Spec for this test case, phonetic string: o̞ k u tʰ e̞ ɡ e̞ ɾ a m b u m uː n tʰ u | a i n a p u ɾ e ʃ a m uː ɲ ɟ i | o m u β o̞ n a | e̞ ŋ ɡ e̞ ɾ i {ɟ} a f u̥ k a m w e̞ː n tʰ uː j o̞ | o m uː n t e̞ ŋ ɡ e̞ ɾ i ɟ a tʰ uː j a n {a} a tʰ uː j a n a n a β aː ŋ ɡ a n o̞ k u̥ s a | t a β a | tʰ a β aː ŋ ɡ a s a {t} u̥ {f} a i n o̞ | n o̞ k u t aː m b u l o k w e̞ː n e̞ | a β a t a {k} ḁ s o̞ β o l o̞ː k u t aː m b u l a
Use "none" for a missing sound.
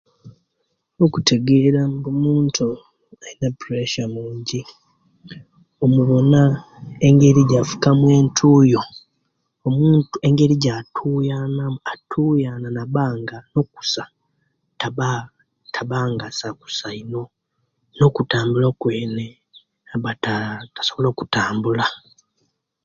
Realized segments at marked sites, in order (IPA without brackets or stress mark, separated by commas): ɟ, a, k, s, t